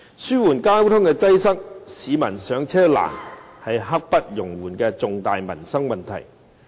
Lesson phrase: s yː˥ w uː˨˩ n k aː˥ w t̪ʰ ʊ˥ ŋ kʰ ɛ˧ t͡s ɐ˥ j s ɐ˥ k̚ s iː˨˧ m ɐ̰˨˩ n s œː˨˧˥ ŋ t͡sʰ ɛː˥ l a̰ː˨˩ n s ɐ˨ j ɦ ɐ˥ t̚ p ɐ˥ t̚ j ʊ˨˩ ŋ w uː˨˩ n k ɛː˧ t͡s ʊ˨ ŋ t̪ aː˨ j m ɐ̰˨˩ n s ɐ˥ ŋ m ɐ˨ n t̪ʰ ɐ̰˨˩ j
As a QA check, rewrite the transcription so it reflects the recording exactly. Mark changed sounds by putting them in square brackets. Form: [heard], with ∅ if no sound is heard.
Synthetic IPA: s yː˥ w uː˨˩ n k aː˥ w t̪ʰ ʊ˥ ŋ [k] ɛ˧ t͡s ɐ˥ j s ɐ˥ k̚ s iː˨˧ m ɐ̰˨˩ n s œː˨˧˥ ŋ t͡sʰ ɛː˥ l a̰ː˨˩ n [h] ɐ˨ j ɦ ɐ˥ [k̚] p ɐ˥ t̚ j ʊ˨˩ ŋ w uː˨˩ n k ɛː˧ t͡s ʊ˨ ŋ t̪ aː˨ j m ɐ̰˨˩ n s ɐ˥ ŋ m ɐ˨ n t̪ʰ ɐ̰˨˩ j

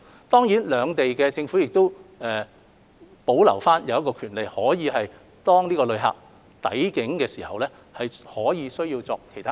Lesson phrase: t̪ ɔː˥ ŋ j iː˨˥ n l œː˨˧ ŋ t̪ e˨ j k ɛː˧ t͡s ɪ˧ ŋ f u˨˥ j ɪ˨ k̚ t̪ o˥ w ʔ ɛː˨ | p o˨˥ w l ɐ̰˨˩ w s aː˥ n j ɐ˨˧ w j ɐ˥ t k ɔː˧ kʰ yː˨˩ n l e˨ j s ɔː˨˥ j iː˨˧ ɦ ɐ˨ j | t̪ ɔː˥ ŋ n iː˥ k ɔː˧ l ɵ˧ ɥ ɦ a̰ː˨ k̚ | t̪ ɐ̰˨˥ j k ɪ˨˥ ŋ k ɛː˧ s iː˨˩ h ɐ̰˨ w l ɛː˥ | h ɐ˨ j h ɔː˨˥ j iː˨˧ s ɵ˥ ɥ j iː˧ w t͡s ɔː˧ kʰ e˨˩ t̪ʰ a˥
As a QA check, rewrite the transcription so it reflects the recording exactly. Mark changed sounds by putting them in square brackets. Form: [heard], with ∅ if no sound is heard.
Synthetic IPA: t̪ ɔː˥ ŋ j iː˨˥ n l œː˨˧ ŋ t̪ e˨ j k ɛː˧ t͡s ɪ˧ ŋ f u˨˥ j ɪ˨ k̚ t̪ o˥ w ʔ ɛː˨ | p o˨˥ w l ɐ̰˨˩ w [f] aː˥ n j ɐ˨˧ w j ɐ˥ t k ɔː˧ kʰ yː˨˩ n l e˨ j [h] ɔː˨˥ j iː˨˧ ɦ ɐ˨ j | t̪ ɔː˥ ŋ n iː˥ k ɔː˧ l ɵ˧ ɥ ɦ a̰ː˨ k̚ | t̪ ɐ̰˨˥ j k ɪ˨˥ ŋ k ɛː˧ s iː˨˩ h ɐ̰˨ w l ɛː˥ | h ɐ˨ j h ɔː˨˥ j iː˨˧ s ɵ˥ ɥ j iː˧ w t͡s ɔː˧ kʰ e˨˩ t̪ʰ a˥

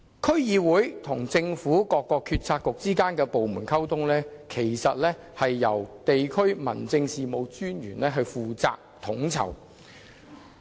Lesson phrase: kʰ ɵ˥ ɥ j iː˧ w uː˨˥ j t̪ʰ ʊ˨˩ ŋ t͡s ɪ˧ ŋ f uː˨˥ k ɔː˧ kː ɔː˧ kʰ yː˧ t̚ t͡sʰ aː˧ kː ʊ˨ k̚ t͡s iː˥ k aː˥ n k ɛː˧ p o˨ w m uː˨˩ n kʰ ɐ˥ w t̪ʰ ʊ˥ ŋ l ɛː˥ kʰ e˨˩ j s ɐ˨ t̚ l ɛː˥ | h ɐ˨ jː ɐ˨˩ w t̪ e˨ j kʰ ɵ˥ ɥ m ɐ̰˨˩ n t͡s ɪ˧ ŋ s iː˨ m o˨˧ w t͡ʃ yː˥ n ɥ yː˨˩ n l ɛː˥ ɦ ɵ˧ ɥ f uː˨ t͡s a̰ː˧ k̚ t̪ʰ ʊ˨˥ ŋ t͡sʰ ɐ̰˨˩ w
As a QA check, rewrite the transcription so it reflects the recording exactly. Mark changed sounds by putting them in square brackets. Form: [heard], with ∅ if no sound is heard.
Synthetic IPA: kʰ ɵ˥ ɥ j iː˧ w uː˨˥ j t̪ʰ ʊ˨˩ ŋ t͡s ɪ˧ ŋ f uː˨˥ k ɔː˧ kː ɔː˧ kʰ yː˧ t̚ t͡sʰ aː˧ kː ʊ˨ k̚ t͡s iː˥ k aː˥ n k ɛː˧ p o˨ w m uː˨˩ n kʰ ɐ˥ w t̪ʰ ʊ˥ ŋ l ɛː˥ kʰ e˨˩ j s ɐ˨ t̚ l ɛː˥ | h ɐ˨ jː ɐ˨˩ w t̪ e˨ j kʰ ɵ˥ ɥ m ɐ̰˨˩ n t͡s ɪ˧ ŋ s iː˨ m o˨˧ w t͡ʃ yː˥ n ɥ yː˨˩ n l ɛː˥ ɦ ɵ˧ ɥ f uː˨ t͡s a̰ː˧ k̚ t̪ʰ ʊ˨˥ ŋ t͡sʰ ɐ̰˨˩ w

